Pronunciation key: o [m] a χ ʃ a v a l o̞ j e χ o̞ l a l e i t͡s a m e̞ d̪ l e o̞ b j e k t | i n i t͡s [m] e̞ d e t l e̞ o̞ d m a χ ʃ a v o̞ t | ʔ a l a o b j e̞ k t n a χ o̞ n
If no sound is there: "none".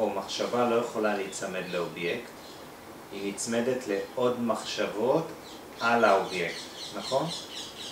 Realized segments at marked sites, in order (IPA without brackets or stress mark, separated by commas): m, m